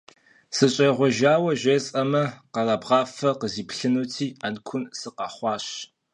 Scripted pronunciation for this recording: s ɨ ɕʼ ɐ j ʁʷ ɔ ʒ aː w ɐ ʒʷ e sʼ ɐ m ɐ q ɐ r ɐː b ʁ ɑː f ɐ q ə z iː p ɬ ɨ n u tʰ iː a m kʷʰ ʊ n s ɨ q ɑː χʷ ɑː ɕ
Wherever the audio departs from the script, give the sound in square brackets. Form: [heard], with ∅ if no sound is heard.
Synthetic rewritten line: s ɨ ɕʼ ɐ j ʁʷ ɔ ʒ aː w ɐ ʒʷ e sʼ ɐ m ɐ q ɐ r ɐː b ʁ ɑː f ɐ q ə z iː p ɬ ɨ n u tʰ iː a [n] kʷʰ ʊ n s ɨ q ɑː χʷ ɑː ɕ